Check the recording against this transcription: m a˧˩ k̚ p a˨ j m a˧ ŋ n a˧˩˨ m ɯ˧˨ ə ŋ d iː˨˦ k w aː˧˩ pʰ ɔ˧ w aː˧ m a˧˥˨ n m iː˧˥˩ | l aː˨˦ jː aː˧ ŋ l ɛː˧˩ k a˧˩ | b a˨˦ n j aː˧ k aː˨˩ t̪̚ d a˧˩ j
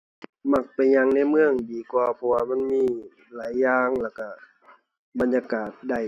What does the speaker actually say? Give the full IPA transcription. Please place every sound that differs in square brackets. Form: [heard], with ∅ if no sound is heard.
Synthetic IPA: m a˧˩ k̚ p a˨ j [ɲ] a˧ ŋ n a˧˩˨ m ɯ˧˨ ə ŋ d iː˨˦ k w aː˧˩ pʰ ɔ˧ w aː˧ m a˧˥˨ n m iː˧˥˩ | l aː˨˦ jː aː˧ ŋ l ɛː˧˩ k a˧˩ | b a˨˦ n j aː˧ k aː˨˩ t̪̚ d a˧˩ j